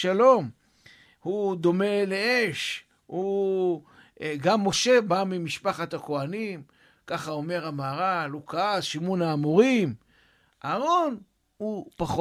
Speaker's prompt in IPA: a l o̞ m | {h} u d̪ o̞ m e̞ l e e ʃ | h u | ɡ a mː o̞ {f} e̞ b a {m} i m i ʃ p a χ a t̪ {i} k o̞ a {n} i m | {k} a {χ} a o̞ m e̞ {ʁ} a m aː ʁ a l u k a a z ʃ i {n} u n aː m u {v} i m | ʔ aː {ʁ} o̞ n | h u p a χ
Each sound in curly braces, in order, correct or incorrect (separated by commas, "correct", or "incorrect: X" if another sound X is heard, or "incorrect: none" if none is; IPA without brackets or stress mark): correct, incorrect: ʃ, correct, incorrect: a, correct, correct, correct, correct, incorrect: m, incorrect: ʁ, correct